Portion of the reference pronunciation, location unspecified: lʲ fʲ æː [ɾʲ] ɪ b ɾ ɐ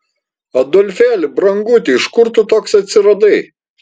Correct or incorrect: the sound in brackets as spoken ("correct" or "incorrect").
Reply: incorrect